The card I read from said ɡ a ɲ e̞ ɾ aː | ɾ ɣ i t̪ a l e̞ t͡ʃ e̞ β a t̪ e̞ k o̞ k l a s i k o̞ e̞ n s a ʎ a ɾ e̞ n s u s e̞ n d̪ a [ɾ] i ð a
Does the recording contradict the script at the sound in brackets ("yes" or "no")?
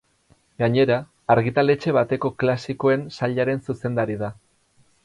no